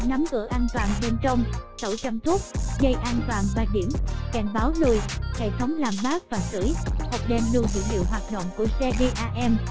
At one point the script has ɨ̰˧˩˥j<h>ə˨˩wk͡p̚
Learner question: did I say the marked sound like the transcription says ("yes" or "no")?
yes